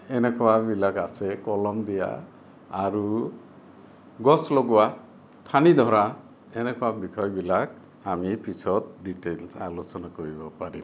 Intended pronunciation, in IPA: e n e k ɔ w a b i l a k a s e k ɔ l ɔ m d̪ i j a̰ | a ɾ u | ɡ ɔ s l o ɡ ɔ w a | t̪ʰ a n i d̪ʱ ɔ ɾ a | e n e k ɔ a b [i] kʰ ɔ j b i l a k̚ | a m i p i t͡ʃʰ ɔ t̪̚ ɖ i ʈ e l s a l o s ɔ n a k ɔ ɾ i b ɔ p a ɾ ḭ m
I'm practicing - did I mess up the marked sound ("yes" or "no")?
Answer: no